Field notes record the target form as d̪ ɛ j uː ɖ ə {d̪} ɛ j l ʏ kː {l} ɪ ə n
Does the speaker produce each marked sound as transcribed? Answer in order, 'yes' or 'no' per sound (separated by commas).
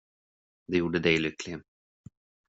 yes, yes